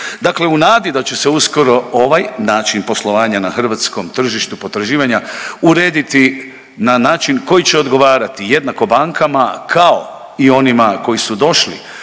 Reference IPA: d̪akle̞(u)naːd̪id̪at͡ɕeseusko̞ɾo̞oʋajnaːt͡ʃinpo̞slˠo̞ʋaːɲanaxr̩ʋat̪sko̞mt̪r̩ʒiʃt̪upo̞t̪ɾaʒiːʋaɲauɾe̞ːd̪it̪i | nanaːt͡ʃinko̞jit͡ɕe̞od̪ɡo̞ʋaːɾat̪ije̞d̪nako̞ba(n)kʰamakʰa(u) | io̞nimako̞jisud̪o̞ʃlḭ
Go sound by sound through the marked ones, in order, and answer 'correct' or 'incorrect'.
correct, incorrect, incorrect

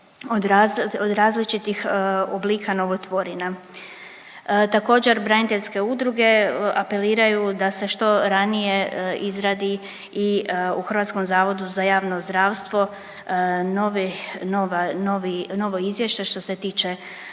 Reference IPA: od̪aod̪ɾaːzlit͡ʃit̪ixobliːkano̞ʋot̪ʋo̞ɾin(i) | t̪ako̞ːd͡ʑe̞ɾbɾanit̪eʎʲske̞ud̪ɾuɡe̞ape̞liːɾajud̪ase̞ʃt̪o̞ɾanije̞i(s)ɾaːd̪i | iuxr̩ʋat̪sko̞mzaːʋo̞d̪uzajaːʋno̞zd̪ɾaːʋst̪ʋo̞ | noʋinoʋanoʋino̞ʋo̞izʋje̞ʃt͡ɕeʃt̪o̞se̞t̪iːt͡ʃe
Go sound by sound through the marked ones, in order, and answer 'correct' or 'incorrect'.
incorrect, incorrect

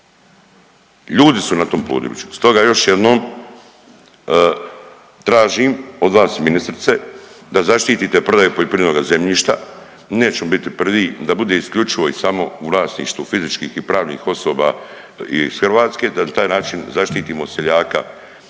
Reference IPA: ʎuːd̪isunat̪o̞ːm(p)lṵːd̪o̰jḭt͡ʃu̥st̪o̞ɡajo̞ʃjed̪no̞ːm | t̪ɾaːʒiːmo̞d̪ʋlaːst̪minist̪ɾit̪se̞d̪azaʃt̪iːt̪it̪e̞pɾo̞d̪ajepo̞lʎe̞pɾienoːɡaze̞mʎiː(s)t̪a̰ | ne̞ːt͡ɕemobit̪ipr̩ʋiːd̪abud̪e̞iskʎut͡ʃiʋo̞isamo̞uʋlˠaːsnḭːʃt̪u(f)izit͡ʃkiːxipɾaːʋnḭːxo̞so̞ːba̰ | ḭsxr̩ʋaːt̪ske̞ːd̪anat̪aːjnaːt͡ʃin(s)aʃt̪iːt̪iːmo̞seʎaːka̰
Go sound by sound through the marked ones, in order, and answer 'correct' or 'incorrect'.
correct, incorrect, correct, incorrect

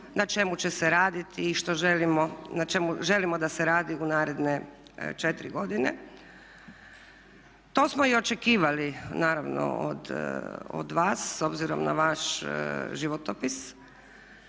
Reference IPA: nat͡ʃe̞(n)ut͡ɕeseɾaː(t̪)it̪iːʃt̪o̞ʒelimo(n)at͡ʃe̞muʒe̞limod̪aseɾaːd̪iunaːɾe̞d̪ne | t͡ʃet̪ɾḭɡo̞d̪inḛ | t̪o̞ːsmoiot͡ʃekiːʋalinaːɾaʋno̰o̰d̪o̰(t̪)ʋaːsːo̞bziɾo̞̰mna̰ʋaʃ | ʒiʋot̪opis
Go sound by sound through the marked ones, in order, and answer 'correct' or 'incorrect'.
incorrect, incorrect, correct, incorrect

